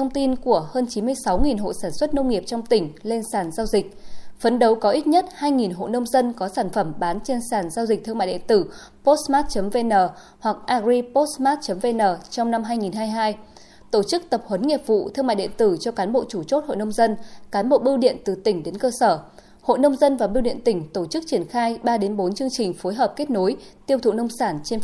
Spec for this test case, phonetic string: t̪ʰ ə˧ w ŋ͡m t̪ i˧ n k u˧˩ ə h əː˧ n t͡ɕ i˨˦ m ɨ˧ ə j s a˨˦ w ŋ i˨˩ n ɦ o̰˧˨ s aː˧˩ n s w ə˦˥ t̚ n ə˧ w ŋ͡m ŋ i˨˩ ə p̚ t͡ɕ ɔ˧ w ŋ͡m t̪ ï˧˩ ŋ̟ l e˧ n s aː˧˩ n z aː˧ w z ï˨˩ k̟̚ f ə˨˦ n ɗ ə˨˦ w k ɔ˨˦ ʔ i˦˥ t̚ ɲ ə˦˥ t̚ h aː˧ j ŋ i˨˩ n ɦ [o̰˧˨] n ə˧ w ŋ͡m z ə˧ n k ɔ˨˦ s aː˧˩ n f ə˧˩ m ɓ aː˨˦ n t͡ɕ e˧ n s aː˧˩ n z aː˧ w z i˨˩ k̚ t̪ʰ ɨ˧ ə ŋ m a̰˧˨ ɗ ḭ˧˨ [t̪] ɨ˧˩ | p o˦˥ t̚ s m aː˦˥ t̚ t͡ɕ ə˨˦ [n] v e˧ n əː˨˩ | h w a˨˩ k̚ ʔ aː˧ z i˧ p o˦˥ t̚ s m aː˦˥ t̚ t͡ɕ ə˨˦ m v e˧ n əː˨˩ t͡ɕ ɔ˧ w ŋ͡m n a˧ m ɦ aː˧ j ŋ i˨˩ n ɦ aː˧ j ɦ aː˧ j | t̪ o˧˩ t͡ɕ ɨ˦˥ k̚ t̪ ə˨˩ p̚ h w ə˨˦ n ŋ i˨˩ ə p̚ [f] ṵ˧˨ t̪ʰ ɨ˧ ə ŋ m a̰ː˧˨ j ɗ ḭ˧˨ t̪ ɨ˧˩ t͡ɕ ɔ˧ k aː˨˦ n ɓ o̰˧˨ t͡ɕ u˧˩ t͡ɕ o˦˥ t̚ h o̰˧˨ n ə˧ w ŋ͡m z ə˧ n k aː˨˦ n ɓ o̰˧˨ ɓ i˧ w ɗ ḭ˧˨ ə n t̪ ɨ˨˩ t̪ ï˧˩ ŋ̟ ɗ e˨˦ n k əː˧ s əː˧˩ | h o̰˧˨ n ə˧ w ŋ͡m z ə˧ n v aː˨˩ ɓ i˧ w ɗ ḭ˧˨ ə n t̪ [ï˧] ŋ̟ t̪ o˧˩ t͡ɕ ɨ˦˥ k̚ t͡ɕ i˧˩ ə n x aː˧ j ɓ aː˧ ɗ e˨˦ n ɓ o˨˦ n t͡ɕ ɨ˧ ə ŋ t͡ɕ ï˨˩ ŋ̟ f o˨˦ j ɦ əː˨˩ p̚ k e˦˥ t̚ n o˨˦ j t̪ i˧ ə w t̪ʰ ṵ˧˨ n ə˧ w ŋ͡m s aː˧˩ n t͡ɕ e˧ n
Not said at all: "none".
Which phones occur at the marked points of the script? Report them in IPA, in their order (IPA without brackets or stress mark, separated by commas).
o̰˧˨, t̪, m, v, ï˧˩